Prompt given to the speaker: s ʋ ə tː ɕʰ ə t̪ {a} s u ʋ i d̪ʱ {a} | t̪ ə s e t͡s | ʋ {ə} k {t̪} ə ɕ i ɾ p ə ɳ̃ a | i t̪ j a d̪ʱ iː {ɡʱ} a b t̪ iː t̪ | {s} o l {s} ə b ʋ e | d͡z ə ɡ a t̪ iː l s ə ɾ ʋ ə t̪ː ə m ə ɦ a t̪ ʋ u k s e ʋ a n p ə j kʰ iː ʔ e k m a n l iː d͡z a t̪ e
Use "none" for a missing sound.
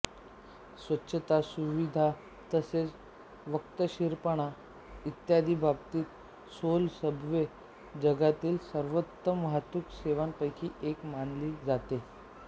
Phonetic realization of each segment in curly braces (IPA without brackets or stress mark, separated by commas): a, a, ə, t̪, bʱ, s, s